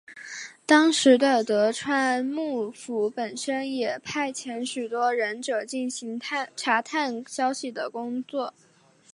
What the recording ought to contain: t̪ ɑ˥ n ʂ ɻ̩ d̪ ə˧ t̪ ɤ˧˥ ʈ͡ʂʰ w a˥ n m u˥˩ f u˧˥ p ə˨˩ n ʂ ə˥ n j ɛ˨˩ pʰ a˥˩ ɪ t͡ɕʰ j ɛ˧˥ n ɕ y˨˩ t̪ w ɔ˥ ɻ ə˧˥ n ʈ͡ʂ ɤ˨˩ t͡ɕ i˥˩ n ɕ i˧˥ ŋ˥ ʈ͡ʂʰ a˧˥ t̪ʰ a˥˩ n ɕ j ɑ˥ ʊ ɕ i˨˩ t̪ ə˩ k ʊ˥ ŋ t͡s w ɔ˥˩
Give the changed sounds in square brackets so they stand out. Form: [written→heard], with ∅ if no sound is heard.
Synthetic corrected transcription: t̪ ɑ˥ [n→ŋ] ʂ ɻ̩ d̪ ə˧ t̪ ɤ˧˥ ʈ͡ʂʰ w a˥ n m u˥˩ f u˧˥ p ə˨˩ n ʂ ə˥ n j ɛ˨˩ pʰ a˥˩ ɪ t͡ɕʰ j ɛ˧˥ n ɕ y˨˩ t̪ w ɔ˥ ɻ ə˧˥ n ʈ͡ʂ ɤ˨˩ t͡ɕ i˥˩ n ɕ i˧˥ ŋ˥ ʈ͡ʂʰ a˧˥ t̪ʰ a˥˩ n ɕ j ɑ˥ ʊ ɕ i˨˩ [t̪→d̪] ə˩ k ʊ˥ ŋ t͡s w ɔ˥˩

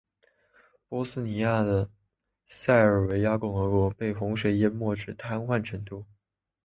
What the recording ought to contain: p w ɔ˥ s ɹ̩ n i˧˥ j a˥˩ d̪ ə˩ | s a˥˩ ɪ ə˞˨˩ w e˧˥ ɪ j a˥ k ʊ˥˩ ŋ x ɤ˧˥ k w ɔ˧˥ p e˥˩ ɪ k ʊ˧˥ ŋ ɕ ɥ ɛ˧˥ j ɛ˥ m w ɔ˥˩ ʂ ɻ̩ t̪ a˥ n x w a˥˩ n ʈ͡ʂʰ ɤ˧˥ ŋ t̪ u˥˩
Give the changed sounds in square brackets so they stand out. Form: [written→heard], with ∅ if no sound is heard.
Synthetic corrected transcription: p w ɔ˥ s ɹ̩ n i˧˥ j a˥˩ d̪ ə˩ | s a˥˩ ɪ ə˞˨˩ w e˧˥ ɪ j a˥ k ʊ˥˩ ŋ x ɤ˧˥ k w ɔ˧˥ p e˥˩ ɪ [k→x] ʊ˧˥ ŋ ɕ ɥ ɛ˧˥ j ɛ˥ m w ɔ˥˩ [ʂ→ʈ͡ʂ] ɻ̩ [t̪→t̪ʰ] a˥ n x w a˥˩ n ʈ͡ʂʰ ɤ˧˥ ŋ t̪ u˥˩

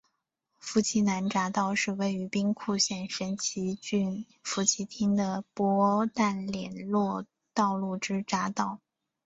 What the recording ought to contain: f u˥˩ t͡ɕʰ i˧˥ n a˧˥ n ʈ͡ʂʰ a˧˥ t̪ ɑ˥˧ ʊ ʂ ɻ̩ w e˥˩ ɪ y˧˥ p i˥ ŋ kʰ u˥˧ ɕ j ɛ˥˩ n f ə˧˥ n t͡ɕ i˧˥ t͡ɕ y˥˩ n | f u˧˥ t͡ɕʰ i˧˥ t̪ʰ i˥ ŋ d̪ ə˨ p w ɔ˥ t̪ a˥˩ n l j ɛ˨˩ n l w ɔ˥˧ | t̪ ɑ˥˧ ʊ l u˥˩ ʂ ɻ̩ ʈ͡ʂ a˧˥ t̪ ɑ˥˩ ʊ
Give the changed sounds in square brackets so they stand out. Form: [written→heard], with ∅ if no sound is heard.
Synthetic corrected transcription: f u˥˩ t͡ɕʰ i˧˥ n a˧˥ n [ʈ͡ʂʰ→ʈ͡ʂ] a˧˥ t̪ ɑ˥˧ ʊ ʂ ɻ̩ w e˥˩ ɪ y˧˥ p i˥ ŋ kʰ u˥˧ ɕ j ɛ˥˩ n [f→ʂ] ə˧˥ n [t͡ɕ→t͡ɕʰ] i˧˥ t͡ɕ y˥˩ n | f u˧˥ t͡ɕʰ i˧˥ t̪ʰ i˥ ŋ d̪ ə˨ p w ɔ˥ t̪ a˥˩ n l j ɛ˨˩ n l w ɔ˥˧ | t̪ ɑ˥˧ ʊ l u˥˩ [ʂ→ʈ͡ʂ] ɻ̩ ʈ͡ʂ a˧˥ t̪ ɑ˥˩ ʊ

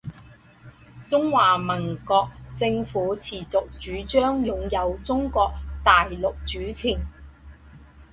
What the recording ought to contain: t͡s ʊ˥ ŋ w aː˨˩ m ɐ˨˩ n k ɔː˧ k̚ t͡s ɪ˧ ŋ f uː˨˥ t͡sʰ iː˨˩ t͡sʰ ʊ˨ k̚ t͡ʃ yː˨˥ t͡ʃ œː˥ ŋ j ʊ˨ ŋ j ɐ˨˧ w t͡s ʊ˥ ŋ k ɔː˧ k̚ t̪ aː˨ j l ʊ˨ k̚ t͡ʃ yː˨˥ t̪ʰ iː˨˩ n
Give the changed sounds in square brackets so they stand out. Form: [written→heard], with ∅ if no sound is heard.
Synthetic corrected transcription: t͡s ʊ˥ ŋ w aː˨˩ m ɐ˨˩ n k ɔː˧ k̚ t͡s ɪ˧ ŋ f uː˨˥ t͡sʰ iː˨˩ [t͡sʰ→t͡s] ʊ˨ k̚ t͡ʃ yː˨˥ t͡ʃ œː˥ ŋ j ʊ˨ ŋ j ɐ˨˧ w t͡s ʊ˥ ŋ k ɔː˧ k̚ t̪ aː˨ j l ʊ˨ k̚ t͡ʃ yː˨˥ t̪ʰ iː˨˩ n

